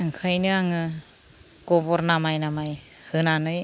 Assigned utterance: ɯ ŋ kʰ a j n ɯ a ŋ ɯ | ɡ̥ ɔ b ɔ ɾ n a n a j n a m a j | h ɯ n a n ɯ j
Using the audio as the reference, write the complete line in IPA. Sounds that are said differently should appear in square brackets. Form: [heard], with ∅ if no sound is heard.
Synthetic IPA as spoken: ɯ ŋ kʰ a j n ɯ a ŋ ɯ | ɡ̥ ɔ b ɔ ɾ n a [m] a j n a m a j | h ɯ n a n ɯ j